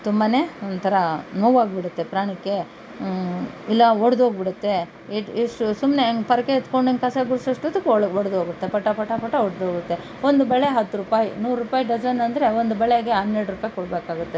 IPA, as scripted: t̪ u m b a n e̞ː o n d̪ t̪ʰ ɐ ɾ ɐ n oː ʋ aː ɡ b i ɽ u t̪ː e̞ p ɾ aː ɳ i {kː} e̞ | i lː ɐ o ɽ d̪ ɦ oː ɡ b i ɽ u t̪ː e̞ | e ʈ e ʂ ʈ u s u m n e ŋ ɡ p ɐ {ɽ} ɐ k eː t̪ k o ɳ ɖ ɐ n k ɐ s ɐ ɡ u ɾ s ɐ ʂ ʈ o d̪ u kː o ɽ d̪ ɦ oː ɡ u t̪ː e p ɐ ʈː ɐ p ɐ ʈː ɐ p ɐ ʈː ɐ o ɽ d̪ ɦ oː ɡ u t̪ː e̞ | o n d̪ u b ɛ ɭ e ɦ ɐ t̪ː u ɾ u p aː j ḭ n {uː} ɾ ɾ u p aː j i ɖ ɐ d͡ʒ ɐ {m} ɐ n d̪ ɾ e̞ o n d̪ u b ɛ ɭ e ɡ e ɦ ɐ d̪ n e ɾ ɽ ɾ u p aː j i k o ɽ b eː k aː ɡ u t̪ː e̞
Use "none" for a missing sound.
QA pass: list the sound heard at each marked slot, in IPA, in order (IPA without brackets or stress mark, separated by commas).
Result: kː, ɾ, uː, n